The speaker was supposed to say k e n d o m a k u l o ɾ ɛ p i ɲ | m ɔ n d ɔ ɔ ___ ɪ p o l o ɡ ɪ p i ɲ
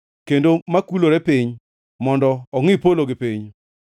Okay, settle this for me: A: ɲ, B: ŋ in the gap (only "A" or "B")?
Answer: B